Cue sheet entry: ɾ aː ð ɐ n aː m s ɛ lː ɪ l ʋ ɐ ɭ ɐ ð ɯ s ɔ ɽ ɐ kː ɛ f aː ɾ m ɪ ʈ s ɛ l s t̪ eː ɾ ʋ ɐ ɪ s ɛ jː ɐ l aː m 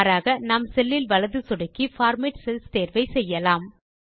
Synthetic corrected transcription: ɾ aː ɣ ɐ n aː m s ɛ lː ɪ l ʋ ɐ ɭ ɐ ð ɯ s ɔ ɽ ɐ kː i f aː ɾ m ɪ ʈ s ɛ l s t̪ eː ɾ ʋ ɐ ɪ s ɛ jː ɐ l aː m